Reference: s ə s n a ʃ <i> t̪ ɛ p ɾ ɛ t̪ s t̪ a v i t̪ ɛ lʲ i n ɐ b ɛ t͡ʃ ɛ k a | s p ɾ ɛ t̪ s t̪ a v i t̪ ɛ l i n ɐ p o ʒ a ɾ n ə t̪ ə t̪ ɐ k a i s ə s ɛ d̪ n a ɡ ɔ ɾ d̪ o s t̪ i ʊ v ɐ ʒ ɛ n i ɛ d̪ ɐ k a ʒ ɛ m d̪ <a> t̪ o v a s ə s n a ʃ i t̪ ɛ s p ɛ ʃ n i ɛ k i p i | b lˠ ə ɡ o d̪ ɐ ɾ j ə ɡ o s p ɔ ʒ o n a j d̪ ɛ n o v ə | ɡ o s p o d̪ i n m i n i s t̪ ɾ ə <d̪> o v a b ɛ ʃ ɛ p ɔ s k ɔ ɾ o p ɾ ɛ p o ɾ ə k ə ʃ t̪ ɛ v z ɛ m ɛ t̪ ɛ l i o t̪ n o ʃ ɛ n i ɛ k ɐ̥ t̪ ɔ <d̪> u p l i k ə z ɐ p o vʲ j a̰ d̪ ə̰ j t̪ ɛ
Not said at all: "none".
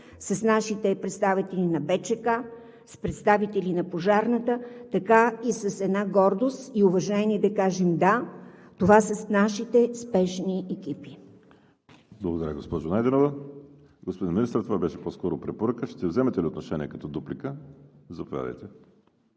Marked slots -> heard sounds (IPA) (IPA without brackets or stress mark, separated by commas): i, a, t̪, d̪